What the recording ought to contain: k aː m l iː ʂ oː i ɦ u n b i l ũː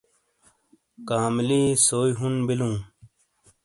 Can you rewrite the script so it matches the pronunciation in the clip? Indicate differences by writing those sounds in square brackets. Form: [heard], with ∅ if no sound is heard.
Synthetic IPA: k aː m l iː [s] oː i ɦ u n b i l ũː